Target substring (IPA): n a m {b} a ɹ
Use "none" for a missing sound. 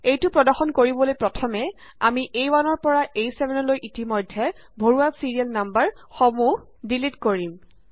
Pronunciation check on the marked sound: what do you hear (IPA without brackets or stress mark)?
b